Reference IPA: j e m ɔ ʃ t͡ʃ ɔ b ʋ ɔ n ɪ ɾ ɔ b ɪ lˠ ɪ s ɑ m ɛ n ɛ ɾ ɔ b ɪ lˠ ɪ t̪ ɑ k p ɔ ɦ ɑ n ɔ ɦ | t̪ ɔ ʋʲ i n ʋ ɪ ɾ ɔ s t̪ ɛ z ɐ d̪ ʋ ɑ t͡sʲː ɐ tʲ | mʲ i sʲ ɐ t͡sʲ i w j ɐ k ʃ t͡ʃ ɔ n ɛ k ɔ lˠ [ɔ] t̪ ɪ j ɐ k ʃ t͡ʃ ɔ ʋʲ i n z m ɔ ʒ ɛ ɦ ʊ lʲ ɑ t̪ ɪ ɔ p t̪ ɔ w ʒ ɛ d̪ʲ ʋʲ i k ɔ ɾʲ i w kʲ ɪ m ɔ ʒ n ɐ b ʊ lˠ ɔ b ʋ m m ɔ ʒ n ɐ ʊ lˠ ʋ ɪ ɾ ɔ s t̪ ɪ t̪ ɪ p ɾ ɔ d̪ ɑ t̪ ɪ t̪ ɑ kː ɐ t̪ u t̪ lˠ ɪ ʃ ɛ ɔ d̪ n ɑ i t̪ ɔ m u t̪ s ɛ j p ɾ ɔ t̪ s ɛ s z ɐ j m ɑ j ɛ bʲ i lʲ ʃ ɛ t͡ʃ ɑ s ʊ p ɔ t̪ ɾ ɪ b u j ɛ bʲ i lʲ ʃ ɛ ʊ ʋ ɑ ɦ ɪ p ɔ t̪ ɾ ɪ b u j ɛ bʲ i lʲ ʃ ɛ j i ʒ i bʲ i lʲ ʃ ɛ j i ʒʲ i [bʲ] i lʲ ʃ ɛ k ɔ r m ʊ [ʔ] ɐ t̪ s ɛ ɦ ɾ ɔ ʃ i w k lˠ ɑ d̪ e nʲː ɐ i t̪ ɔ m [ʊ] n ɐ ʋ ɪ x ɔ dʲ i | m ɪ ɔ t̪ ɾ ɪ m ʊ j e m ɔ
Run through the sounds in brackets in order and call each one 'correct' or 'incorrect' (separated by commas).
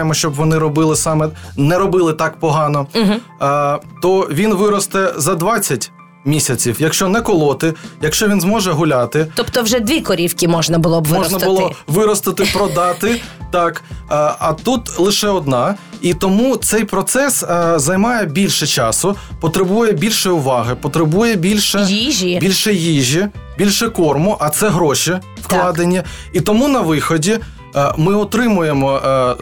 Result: correct, correct, correct, incorrect